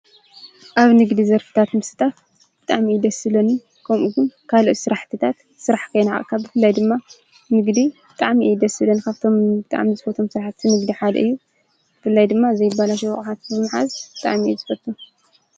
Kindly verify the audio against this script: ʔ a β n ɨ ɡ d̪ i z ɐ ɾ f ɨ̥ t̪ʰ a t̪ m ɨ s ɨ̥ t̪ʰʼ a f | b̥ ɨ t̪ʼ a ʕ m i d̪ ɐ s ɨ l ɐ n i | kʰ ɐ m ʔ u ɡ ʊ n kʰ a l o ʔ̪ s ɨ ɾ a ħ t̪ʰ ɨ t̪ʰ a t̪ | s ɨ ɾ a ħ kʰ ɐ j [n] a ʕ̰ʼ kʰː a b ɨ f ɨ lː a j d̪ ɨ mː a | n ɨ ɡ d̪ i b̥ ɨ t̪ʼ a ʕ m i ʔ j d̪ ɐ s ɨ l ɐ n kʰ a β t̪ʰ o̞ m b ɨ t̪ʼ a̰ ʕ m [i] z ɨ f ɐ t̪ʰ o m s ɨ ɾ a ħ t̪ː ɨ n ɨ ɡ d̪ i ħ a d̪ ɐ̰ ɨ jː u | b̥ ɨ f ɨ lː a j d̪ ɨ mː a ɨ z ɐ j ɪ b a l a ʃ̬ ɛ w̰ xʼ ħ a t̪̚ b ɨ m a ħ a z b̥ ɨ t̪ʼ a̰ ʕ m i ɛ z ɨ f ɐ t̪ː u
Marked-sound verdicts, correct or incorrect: correct, correct

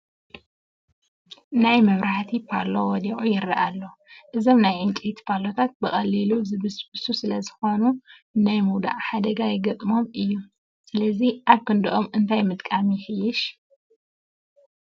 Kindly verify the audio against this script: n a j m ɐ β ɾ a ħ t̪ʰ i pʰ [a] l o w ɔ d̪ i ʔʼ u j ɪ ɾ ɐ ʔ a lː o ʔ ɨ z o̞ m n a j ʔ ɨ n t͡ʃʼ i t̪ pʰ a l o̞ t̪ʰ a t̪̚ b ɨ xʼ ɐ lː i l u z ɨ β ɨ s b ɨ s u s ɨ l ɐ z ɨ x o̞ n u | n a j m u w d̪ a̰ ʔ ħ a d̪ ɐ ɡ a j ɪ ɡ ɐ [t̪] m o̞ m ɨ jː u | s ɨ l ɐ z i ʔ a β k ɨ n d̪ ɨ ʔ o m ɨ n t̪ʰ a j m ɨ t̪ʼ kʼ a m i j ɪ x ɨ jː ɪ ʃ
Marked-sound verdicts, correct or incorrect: correct, incorrect

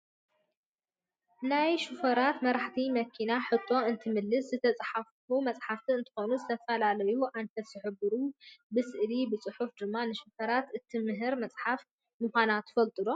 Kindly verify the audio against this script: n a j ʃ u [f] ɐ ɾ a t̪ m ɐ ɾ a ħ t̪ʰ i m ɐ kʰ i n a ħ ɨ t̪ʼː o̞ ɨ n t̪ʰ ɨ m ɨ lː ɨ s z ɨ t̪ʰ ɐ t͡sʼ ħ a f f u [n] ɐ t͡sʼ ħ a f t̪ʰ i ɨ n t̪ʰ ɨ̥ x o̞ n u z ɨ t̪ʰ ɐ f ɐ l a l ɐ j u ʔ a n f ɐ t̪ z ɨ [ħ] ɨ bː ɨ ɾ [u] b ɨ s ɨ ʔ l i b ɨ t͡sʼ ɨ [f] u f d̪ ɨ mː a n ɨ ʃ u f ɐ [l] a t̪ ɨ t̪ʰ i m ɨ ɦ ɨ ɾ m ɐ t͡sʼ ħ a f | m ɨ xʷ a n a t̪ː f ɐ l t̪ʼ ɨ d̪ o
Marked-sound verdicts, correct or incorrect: correct, incorrect, correct, correct, incorrect, incorrect

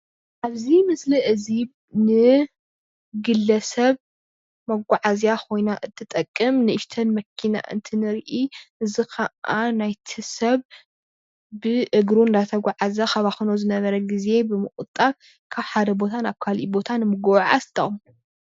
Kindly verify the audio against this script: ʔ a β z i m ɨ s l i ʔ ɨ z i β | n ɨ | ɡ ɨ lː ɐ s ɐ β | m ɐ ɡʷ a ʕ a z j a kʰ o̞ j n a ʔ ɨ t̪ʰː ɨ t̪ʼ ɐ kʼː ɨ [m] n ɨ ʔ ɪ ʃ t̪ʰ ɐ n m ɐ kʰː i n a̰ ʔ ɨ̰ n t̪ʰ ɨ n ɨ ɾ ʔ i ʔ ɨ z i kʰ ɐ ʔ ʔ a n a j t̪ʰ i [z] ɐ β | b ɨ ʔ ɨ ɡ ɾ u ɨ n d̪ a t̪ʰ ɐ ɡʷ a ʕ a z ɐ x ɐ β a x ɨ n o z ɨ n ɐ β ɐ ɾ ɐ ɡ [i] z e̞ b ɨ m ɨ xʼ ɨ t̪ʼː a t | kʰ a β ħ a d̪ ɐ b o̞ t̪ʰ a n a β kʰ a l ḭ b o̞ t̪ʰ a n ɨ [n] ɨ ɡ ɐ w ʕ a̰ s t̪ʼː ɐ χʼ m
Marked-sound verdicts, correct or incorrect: correct, incorrect, correct, incorrect

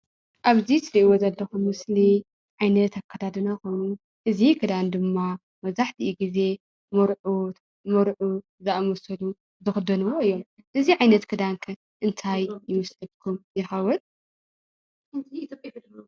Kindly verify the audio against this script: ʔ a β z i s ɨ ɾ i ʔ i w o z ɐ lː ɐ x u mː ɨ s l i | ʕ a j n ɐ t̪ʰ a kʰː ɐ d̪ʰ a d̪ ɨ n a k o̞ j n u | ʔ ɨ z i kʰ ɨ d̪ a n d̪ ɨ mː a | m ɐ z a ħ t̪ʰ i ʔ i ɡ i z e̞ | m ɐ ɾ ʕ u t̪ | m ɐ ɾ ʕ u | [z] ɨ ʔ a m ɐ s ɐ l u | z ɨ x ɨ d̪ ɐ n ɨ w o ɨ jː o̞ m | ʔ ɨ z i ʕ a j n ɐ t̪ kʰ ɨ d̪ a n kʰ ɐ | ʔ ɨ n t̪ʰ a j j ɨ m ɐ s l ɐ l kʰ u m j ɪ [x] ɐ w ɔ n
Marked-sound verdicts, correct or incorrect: correct, correct

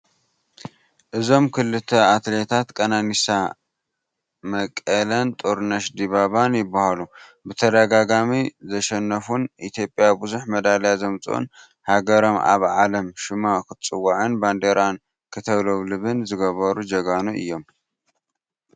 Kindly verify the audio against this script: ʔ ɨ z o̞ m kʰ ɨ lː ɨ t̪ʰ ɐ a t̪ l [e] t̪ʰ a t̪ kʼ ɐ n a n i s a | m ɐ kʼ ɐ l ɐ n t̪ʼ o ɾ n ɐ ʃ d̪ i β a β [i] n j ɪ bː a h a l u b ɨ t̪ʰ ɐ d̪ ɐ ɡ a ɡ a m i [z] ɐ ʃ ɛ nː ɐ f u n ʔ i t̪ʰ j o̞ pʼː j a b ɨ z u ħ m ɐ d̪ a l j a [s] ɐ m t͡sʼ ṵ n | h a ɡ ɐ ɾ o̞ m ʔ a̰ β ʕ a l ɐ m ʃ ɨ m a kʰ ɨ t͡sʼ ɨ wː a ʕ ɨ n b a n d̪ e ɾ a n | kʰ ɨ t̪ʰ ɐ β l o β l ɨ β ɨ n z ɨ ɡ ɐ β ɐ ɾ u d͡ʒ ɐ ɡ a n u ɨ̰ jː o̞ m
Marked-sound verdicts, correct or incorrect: correct, incorrect, correct, incorrect

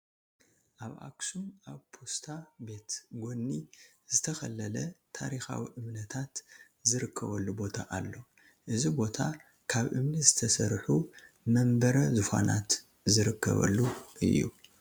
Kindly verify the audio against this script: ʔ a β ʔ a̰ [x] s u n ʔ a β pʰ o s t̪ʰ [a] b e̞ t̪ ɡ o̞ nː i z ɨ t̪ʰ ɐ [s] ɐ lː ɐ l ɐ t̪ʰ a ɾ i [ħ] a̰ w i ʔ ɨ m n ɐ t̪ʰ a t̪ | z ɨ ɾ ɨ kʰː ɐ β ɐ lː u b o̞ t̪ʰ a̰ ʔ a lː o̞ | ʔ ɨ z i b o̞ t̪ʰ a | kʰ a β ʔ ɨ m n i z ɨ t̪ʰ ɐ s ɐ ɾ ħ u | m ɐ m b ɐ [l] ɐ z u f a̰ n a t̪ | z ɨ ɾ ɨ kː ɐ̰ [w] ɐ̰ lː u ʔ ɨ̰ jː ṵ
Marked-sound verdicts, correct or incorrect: incorrect, correct, incorrect, incorrect, incorrect, incorrect

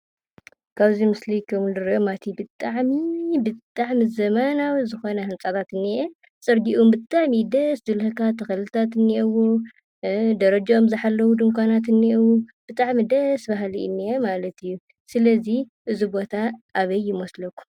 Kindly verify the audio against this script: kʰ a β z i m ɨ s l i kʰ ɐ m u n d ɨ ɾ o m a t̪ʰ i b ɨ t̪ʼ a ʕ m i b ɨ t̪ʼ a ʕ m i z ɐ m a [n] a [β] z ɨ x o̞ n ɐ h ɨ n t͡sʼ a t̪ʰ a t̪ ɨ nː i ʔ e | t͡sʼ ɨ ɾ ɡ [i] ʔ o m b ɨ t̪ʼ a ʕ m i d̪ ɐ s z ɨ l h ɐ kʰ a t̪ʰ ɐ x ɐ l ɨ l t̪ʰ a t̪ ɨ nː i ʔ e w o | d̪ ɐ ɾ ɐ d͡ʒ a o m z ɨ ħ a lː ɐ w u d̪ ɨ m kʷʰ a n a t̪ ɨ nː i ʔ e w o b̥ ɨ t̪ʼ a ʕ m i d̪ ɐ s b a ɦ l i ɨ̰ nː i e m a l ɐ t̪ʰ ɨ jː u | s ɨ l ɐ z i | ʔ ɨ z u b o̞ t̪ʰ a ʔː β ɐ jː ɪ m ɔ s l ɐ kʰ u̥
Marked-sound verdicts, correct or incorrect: correct, incorrect, correct

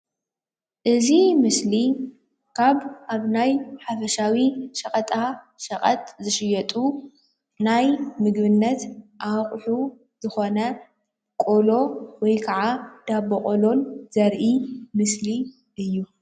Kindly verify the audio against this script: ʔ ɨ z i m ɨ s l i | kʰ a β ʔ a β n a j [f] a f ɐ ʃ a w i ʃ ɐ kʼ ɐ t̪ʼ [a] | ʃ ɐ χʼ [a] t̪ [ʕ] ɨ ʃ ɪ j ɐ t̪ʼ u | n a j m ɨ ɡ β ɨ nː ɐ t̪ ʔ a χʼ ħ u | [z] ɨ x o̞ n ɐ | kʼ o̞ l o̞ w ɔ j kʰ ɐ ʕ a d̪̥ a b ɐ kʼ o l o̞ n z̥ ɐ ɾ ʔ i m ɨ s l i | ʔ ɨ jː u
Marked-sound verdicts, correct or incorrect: incorrect, correct, incorrect, incorrect, correct

